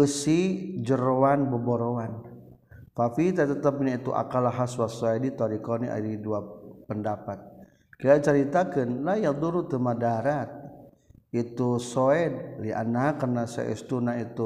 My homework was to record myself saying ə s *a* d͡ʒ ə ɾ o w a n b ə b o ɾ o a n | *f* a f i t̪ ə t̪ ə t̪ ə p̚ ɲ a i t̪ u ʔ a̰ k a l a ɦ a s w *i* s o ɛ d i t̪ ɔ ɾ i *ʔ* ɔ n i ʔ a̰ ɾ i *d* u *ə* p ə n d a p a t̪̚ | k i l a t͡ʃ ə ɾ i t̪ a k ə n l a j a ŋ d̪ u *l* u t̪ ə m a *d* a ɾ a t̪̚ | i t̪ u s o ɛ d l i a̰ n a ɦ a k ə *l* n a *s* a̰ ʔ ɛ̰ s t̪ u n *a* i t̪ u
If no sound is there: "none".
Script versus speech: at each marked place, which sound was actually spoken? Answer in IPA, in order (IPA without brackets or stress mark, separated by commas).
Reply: i, f, a, k, d, a, ɾ, d, r, s, a